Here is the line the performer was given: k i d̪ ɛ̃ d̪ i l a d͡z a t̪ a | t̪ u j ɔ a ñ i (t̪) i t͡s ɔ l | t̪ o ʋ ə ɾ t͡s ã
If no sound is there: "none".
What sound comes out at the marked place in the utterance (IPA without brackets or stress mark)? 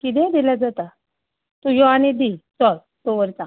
d̪